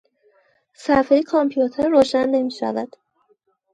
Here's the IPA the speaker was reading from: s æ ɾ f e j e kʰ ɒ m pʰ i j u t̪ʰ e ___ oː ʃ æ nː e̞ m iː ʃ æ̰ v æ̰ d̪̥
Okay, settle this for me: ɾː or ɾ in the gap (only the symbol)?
ɾː